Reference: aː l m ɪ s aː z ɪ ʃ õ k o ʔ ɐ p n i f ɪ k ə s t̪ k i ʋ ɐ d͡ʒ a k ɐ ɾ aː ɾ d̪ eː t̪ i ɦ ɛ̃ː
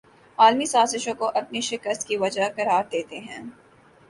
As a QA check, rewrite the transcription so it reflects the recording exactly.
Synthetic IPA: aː l m i s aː z ɪ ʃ õ k o ʔ ɐ p n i ʃ ɪ k ə s t̪ k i ʋ ɐ d͡ʒ a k ɐ ɾ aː ɾ d̪ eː t̪ e ɦ ɛ̃ː